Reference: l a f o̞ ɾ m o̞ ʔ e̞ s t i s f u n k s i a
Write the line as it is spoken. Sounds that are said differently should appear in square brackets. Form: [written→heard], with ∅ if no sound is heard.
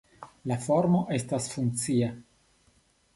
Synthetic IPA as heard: l a f o̞ ɾ m o̞ ʔ e̞ s t [i→a] s f u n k [s→t͡s] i a